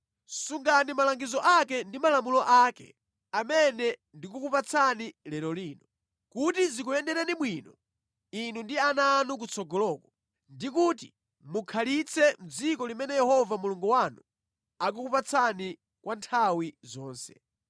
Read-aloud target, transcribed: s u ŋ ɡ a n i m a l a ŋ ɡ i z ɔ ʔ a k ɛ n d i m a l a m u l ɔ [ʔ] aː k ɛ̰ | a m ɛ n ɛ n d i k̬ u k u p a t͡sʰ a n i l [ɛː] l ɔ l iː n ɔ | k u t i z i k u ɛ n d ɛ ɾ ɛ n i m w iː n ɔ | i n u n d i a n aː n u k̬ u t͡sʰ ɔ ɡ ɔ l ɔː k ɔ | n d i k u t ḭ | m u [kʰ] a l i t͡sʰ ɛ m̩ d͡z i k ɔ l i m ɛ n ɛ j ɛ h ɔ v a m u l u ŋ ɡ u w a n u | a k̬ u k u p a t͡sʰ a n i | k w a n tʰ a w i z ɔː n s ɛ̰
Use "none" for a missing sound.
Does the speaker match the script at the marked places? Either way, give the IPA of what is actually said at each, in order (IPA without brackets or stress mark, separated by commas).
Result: ʔ, ɛ, kʰ